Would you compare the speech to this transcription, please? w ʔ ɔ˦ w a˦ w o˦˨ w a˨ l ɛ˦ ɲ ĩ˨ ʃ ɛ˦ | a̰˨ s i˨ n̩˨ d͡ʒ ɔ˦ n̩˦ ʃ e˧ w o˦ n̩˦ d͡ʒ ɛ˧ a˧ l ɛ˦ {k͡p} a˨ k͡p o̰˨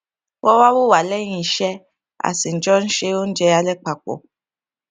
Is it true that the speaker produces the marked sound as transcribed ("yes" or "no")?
yes